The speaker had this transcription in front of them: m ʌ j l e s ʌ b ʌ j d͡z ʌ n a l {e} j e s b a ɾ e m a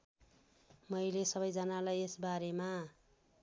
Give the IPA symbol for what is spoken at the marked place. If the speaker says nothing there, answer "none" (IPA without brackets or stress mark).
a